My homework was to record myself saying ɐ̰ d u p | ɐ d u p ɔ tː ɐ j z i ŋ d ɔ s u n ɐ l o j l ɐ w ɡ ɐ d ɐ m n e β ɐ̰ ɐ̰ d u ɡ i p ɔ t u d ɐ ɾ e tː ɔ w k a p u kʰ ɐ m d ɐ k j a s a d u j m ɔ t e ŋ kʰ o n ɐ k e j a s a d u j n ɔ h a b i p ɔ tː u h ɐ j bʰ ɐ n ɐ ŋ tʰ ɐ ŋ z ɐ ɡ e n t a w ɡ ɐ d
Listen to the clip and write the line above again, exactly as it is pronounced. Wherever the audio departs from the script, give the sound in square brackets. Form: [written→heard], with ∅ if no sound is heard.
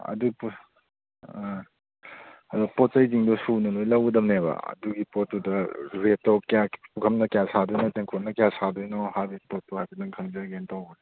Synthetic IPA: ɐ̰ d u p | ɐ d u p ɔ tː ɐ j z i ŋ d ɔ s u n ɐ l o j l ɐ w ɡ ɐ d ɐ m n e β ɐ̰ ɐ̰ d u ɡ i p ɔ t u d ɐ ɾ e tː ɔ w k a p u kʰ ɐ m [d→n] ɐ k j a s a d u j [m→n] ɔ t e ŋ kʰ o n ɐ k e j a s a d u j n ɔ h a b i p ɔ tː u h [ɐ→a] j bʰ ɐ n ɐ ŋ [tʰ→kʰ] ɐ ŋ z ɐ ɡ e n t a w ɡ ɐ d